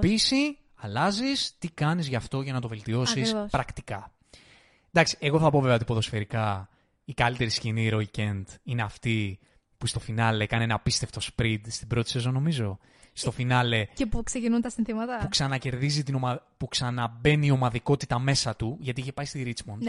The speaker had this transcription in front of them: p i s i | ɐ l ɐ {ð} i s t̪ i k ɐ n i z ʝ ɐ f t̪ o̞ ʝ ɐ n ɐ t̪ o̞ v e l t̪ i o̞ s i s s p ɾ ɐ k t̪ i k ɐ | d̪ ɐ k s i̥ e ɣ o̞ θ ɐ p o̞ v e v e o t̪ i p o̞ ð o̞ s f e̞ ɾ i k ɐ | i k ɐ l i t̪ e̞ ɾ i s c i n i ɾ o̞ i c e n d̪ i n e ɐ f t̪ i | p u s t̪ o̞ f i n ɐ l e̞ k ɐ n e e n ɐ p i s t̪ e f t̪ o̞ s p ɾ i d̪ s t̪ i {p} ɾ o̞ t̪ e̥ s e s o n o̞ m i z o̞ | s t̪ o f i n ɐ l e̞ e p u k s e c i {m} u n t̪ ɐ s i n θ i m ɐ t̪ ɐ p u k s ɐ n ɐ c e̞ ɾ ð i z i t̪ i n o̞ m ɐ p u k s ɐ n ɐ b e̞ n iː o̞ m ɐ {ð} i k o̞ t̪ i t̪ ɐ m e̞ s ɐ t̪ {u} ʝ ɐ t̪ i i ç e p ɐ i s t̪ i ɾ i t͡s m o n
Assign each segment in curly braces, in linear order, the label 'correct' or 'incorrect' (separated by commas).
incorrect, incorrect, incorrect, correct, correct